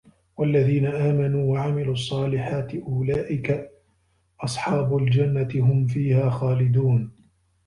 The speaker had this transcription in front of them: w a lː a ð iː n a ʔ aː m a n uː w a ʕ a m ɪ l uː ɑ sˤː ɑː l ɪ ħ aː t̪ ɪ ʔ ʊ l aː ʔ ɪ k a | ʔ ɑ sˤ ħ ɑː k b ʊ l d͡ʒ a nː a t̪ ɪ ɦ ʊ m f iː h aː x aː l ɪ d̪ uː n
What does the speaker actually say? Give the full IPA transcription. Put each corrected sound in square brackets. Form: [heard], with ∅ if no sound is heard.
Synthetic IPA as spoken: w a lː a ð iː n a ʔ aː m a n uː w a ʕ a m ɪ l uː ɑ sˤː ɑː l ɪ ħ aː t̪ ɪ ʔ ʊ l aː ʔ ɪ k a | ʔ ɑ sˤ ħ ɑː [∅] b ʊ l d͡ʒ a nː a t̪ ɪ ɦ ʊ m f iː h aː x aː l ɪ d̪ uː n